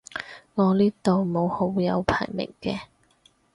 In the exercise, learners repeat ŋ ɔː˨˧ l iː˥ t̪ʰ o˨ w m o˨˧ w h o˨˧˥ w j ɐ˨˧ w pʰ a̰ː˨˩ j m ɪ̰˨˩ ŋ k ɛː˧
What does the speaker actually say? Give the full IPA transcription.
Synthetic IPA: ŋ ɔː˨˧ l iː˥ t̪ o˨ w m o˨˧ w h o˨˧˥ w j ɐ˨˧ w pʰ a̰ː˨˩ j m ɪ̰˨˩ ŋ k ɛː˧